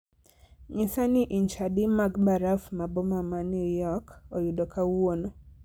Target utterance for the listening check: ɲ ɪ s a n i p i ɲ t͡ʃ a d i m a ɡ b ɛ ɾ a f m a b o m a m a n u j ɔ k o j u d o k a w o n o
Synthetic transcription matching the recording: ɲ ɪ s a n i ʔ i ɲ t͡ʃ a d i m a ɡ b a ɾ a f m a b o m a m a n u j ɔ k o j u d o k a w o n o